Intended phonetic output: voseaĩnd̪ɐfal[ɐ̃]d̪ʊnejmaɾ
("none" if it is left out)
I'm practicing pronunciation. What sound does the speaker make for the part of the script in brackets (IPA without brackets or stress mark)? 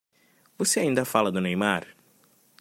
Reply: ɐ